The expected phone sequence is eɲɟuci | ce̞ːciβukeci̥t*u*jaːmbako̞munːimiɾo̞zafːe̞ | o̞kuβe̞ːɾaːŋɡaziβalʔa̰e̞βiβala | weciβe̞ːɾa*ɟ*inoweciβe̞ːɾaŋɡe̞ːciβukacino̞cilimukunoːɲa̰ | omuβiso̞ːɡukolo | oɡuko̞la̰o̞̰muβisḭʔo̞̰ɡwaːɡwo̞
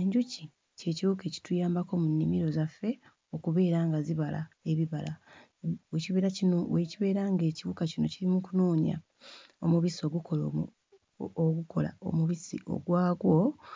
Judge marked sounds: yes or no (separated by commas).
yes, no